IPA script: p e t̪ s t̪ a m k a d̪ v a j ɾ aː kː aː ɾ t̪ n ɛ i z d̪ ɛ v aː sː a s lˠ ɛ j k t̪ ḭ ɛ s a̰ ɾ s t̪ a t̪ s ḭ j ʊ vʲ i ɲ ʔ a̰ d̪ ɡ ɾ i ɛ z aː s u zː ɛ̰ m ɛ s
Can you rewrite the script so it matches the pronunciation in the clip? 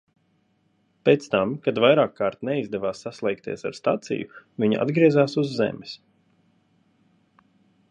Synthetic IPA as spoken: p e t̪ s t̪ a m k a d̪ v a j ɾ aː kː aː ɾ t̪ n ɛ i z d̪ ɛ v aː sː a s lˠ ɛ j k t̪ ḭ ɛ s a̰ ɾ s t̪ a t̪ s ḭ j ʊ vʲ i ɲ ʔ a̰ d̪ ɡ ɾ i ɛ z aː s u zː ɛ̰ m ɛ s